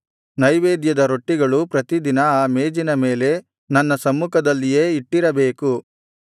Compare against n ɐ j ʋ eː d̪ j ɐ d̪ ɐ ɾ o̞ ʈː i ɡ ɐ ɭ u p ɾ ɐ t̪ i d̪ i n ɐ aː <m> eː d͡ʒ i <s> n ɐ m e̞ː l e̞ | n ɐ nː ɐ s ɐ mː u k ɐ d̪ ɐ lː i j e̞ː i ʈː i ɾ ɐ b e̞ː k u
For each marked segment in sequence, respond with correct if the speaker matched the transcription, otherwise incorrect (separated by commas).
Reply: correct, incorrect